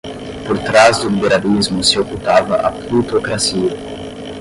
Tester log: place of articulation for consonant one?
labial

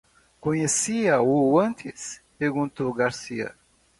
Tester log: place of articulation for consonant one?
velar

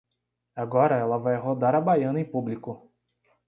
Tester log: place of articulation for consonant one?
velar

